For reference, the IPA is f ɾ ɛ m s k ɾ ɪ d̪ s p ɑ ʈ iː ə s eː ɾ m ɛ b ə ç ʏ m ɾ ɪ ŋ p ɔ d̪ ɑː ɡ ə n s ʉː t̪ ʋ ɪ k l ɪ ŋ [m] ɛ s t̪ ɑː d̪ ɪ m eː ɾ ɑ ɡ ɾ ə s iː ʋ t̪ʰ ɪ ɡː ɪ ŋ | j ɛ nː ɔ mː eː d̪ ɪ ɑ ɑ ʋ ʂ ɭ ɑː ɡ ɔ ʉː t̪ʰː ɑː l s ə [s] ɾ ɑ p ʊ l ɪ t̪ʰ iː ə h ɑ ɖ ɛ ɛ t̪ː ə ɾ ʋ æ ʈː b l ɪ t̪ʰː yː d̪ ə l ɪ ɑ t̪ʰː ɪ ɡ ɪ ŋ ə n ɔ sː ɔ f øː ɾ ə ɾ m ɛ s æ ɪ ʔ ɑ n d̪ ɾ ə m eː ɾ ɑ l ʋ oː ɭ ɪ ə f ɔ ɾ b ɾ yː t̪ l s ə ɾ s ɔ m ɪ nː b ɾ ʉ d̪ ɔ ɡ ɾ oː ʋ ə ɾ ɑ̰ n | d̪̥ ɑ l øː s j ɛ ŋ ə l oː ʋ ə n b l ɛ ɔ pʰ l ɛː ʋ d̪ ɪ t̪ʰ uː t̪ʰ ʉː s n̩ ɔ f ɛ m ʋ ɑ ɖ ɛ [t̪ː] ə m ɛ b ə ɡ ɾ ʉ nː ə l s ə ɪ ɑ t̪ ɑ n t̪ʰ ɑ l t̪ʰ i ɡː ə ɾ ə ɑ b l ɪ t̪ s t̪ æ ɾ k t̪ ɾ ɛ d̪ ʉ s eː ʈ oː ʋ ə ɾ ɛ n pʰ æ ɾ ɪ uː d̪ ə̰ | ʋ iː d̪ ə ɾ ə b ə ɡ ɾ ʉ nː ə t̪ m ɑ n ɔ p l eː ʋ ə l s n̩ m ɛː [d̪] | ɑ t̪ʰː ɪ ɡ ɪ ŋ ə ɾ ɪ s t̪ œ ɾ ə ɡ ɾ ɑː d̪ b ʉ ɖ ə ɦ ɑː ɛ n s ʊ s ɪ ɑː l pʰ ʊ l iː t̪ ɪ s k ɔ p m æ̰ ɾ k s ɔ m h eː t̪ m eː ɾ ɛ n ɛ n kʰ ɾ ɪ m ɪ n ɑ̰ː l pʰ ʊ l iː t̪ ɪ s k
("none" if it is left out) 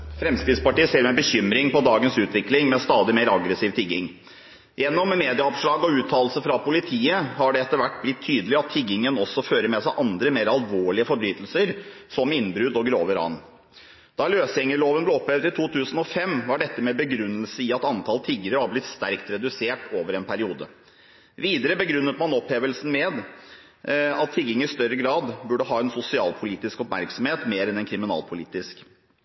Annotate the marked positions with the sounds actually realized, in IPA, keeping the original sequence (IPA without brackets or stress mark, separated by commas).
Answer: m, f, t̪ː, d̪